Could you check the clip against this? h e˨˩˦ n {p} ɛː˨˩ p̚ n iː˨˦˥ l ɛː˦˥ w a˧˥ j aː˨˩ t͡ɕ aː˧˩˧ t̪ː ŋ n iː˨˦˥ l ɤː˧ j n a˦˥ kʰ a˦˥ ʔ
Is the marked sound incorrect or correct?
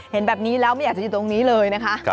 incorrect